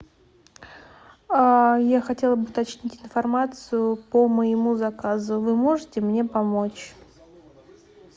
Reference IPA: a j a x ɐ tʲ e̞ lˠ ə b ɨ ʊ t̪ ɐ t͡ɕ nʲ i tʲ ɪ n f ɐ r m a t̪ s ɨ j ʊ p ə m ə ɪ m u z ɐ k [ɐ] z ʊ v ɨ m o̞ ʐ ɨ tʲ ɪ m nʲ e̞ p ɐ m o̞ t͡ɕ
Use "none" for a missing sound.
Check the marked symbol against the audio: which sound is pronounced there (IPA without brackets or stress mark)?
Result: a